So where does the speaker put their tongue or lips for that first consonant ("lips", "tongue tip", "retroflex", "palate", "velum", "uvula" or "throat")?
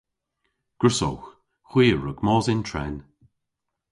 velum